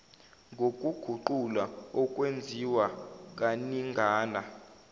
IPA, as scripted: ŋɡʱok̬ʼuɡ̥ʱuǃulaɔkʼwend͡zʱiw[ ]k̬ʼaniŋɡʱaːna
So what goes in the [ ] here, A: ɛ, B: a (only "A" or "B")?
B